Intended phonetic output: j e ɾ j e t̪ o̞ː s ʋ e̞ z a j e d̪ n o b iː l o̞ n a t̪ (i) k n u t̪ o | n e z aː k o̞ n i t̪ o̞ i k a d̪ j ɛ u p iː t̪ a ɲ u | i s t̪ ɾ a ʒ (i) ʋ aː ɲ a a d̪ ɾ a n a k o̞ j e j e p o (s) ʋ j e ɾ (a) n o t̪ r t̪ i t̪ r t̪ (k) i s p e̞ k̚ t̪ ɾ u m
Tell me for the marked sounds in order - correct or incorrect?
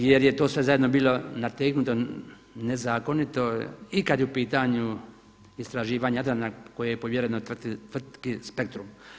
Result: incorrect, incorrect, incorrect, incorrect, correct

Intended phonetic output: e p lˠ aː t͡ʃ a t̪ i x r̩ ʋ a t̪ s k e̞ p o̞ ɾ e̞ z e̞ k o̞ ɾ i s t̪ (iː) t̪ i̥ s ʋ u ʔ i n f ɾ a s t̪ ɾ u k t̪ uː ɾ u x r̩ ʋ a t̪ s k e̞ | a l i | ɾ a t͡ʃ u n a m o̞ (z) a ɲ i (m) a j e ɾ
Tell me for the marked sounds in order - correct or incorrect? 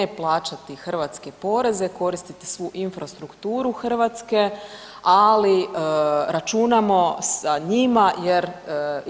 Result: incorrect, incorrect, correct

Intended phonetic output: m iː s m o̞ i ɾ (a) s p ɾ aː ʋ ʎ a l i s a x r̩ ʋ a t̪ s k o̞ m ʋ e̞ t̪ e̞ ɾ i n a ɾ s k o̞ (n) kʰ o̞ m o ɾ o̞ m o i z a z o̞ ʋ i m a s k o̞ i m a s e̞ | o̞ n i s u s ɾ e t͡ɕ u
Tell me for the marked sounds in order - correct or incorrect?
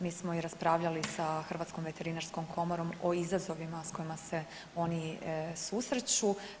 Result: correct, incorrect

